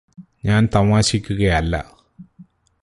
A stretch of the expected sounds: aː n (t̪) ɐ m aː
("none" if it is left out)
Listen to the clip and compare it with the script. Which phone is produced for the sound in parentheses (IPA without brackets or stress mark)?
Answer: t̪